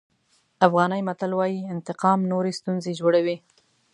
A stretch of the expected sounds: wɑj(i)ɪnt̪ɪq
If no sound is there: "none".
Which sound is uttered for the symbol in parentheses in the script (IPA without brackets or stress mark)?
i